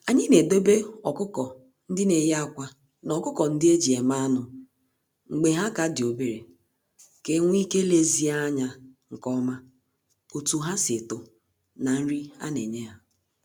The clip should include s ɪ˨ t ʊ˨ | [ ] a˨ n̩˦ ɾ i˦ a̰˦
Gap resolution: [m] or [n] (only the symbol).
n